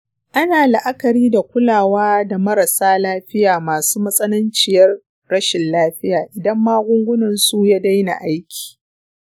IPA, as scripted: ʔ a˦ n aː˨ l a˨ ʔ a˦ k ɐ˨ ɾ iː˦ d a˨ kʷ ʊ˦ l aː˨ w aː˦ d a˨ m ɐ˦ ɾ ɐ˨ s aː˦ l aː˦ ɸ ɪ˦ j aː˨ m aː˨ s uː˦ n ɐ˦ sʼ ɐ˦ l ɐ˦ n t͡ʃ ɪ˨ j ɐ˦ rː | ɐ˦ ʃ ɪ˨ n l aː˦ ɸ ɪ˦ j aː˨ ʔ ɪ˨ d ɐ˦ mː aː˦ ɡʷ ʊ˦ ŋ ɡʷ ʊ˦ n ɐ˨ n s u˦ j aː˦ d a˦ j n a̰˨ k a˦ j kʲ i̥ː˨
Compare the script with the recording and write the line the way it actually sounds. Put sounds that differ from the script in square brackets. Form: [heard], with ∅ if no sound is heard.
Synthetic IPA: ʔ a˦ n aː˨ l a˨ ʔ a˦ k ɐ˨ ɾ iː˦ d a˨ kʷ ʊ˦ l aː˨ w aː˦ d a˨ m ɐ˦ ɾ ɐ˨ s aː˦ l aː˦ ɸ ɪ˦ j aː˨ m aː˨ s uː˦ [m] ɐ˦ sʼ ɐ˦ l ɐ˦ n t͡ʃ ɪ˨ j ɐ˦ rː | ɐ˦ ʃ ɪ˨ n l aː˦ ɸ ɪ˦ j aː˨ ʔ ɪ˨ d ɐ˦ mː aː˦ ɡʷ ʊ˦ ŋ ɡʷ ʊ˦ n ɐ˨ n s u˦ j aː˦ d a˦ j n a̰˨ [ʔ] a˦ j kʲ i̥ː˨